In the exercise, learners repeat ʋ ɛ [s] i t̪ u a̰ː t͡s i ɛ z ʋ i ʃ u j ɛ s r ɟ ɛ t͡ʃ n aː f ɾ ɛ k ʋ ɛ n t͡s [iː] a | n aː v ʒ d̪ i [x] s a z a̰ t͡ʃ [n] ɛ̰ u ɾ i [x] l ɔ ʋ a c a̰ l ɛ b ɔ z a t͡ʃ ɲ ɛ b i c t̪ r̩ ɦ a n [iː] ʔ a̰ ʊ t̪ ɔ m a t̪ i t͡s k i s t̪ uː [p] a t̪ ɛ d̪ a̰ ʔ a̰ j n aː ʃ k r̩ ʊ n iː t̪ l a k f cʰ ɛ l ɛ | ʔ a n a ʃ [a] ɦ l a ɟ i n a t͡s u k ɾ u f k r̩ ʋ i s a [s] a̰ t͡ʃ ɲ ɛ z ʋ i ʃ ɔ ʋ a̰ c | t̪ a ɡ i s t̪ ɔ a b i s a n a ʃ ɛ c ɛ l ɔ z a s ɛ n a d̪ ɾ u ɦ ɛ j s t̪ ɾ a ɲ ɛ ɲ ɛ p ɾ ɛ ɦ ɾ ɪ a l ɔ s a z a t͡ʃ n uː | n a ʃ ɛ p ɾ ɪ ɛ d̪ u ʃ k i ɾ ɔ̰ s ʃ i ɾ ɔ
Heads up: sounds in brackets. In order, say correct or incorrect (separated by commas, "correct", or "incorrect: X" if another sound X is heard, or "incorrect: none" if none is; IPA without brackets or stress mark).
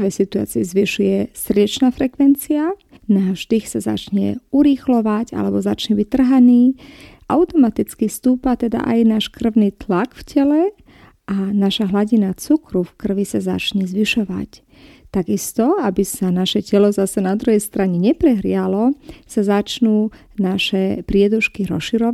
correct, incorrect: i, correct, incorrect: ɲ, correct, correct, correct, correct, incorrect: z